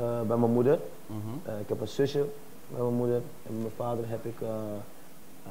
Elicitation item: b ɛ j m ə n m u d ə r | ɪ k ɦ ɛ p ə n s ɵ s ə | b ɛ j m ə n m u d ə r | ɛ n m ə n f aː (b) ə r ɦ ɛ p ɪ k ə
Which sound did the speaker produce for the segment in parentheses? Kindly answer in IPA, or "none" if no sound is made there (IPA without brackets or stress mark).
d